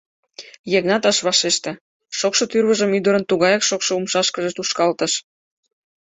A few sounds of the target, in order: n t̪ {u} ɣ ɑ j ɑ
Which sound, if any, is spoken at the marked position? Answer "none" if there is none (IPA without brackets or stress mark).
u